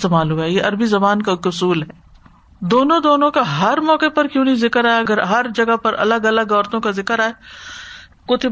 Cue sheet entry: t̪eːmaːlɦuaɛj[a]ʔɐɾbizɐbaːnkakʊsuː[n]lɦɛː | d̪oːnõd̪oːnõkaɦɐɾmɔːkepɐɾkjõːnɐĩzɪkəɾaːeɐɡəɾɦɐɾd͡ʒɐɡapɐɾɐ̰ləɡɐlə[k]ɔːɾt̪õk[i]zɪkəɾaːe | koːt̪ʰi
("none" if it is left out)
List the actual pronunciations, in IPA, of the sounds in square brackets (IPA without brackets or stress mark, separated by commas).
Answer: e, none, ɡ, a